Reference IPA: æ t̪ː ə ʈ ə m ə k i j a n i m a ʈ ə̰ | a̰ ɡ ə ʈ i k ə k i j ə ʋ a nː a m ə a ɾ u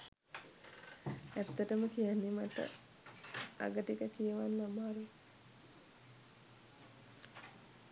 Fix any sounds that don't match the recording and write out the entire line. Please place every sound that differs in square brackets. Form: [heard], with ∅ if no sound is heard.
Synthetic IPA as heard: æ t̪ː ə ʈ ə m ə k i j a [nː] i m a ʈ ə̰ | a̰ ɡ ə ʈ i k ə k i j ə ʋ a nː a m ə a ɾ u